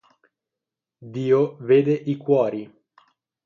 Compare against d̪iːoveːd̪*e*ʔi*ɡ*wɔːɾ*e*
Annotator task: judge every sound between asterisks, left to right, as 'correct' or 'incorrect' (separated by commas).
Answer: correct, incorrect, incorrect